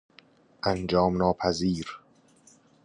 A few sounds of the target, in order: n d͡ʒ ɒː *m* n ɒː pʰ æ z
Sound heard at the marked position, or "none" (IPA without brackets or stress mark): m